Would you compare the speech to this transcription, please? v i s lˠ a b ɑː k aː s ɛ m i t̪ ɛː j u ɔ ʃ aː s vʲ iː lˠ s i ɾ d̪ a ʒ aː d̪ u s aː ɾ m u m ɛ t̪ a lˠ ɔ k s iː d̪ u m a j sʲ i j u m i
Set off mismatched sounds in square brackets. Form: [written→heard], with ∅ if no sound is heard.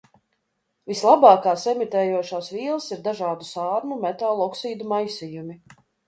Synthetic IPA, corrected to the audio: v i s lˠ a b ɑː k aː s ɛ m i t̪ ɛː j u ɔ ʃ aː s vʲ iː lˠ s i ɾ d̪ a ʒ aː d̪ u s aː ɾ m u m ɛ t̪ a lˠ ɔ k s iː d̪ u m a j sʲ i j u m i

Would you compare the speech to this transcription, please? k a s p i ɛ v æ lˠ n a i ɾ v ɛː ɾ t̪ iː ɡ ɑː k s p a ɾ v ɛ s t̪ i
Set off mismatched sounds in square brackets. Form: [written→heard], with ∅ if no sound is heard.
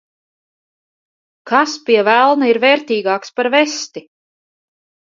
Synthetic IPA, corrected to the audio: k a s p i ɛ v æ lˠ n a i ɾ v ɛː ɾ t̪ iː ɡ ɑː k s p a ɾ v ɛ s t̪ i

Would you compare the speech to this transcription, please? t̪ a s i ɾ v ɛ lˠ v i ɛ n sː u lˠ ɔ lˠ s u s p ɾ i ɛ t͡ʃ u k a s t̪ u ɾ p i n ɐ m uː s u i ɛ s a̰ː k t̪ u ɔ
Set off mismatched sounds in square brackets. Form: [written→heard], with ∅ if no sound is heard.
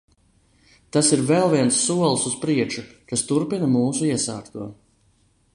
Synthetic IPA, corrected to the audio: t̪ a s i ɾ v ɛ lˠ v i ɛ n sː u [lˠ→∅] ɔ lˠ s u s p ɾ i ɛ t͡ʃ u k a s t̪ u ɾ p i n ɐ m uː s u i ɛ s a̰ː k t̪ u ɔ

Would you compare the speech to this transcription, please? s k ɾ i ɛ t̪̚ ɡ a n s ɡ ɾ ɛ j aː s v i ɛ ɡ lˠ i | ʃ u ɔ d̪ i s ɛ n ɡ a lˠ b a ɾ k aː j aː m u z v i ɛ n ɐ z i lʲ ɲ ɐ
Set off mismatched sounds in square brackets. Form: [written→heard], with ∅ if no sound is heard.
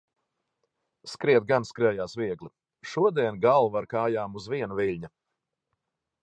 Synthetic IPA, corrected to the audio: s k ɾ i ɛ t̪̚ ɡ a n s [ɡ→k] ɾ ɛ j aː s v i ɛ ɡ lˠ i | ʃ u ɔ d̪ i [s→∅] ɛ n ɡ a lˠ [b→v] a ɾ k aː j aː m u z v i ɛ n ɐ [z→v] i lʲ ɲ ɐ

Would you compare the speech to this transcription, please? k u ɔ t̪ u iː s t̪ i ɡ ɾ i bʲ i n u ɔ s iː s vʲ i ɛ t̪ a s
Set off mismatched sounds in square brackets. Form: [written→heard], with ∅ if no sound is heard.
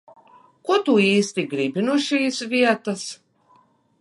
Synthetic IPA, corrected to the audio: k u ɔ t̪ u iː s t̪ i ɡ ɾ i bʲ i n u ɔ [s→ʃ] iː s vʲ i ɛ t̪ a s

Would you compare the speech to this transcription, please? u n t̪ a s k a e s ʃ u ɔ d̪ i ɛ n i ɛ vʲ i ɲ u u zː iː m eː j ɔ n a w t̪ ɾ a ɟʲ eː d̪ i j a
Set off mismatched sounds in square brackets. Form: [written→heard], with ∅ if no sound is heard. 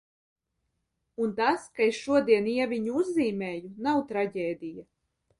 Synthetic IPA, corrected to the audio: u n t̪ a s k a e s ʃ u ɔ d̪ i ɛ n i ɛ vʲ i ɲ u u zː iː m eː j [ɔ→u] n a w t̪ ɾ a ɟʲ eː d̪ i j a

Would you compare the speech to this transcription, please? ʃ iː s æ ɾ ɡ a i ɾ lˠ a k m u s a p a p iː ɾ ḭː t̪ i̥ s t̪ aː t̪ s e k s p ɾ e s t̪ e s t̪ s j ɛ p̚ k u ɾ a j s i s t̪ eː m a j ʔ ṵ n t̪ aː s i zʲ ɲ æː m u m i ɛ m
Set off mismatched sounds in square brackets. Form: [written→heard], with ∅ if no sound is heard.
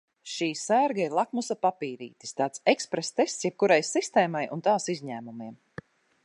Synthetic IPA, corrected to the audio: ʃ iː s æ ɾ ɡ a i ɾ lˠ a k m u s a p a p iː ɾ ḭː t̪ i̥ s t̪ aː t̪ s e k s p ɾ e s t̪ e s t̪ s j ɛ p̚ k u ɾ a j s i s t̪ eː m a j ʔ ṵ n t̪ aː s i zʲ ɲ æː m u m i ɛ m

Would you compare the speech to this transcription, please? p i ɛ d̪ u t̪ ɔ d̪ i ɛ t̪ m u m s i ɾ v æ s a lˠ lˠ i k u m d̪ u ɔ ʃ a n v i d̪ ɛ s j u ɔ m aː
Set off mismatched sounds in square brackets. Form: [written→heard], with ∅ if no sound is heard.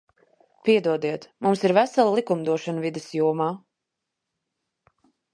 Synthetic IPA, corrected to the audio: p i ɛ d̪ u [t̪→∅] ɔ d̪ i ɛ t̪ m u m s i ɾ v æ s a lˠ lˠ i k u m d̪ u ɔ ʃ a n v i d̪ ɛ s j u ɔ m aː

